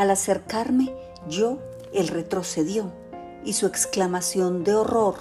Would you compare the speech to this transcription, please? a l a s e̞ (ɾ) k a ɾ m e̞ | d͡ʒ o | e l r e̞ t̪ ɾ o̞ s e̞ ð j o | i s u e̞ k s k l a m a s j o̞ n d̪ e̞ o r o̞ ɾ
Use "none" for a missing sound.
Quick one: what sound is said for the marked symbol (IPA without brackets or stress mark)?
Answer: ɾ